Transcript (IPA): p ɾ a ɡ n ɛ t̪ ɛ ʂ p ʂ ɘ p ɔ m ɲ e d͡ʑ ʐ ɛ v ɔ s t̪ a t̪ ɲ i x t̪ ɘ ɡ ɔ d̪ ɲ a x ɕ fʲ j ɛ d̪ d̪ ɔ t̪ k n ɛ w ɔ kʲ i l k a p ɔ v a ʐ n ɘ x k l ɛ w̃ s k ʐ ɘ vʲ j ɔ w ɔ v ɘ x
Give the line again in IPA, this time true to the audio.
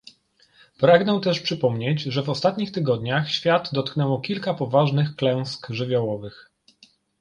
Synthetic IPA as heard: p ɾ a ɡ n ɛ t̪ ɛ ʂ p ʂ ɘ p ɔ m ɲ e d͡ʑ ʐ ɛ v ɔ s t̪ a t̪ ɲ i x t̪ ɘ ɡ ɔ d̪ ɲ a x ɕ fʲ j a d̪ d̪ ɔ t̪ k n ɛ w ɔ kʲ i l k a p ɔ v a ʐ n ɘ x k l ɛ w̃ s k ʐ ɘ vʲ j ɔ w ɔ v ɘ x